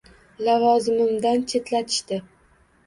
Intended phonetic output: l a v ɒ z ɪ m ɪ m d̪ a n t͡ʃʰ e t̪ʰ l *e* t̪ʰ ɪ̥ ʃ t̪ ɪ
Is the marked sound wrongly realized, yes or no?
yes